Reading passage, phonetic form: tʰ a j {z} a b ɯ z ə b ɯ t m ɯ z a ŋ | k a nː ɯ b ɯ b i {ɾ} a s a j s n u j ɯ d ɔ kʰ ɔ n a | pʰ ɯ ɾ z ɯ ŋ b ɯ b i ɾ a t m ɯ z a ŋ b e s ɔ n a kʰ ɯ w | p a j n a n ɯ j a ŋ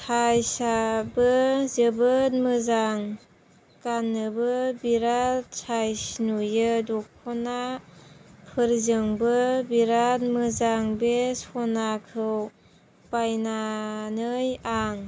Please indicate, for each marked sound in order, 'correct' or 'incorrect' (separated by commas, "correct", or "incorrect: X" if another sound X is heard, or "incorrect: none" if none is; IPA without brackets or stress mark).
incorrect: s, correct